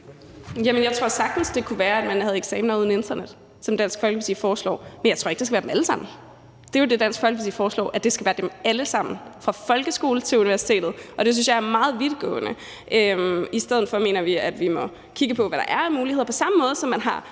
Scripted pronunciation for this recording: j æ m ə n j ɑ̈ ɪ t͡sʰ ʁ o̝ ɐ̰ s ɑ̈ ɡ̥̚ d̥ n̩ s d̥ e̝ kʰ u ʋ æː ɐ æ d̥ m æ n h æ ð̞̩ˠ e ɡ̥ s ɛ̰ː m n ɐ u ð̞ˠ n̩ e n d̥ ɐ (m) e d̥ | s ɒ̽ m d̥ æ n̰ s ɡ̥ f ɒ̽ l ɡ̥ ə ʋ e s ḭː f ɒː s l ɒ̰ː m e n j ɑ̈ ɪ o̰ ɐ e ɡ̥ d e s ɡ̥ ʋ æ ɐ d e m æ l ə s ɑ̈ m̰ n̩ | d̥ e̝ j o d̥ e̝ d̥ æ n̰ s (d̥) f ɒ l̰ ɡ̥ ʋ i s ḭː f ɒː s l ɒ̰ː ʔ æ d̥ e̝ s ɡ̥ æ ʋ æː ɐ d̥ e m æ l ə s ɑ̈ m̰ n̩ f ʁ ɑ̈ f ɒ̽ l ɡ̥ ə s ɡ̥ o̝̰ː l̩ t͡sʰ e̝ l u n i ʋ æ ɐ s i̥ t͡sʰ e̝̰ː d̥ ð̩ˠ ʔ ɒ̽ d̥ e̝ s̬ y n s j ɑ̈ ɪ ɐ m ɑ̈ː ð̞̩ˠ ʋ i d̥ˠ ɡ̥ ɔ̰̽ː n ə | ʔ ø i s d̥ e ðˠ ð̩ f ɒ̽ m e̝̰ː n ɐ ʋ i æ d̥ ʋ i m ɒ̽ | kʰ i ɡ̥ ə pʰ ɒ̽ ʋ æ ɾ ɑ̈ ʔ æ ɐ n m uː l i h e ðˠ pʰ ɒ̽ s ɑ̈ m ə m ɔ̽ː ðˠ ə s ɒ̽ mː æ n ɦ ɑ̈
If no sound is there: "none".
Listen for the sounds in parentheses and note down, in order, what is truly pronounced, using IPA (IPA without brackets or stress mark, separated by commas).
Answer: n, ɡ̥